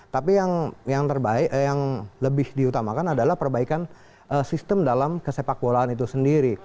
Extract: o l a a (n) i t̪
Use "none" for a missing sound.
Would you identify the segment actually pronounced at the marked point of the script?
n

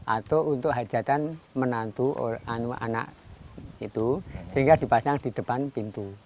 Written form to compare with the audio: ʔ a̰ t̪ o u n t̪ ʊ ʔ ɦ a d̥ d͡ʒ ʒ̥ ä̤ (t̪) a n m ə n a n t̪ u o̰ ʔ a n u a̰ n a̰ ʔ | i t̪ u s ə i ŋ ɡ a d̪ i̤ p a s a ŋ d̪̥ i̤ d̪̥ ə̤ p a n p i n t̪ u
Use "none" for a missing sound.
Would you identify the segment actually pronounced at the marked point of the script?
t̪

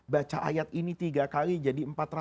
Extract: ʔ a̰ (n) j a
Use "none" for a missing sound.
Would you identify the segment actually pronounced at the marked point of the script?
none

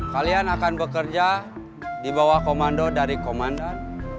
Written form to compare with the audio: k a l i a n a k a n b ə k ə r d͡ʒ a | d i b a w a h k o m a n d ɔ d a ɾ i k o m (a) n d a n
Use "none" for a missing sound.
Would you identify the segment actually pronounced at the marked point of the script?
a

